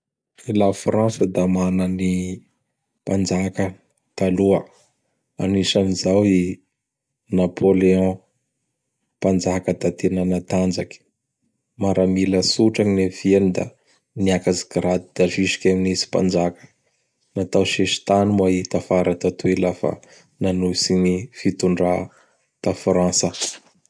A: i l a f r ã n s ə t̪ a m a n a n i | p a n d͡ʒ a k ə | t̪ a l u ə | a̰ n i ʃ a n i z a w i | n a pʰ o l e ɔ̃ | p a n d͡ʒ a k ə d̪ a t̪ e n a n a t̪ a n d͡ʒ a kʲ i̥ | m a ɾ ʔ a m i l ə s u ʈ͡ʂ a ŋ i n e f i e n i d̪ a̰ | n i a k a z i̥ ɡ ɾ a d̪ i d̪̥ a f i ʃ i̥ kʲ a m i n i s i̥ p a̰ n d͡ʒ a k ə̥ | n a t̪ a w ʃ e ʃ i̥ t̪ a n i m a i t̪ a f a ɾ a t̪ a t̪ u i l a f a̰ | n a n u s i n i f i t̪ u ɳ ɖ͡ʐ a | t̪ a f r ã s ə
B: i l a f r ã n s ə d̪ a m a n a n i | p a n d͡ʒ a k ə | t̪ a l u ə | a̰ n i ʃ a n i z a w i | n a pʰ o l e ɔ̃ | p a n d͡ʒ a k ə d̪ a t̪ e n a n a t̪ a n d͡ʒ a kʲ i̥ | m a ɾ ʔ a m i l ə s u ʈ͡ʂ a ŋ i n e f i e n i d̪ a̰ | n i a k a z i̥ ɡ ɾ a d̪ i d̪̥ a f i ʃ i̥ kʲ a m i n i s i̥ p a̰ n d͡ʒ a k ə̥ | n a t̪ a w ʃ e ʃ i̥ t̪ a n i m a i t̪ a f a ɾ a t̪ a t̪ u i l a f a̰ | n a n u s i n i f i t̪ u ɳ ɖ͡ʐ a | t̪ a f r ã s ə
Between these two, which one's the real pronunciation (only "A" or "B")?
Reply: B